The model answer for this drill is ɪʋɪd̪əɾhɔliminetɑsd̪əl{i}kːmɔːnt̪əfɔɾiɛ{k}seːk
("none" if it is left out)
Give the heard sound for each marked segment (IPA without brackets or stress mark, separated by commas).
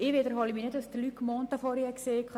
y, k